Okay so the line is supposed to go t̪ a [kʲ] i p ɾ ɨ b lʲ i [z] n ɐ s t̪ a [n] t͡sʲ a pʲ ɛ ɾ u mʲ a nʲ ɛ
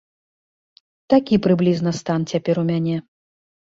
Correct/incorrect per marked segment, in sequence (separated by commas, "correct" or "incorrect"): correct, correct, correct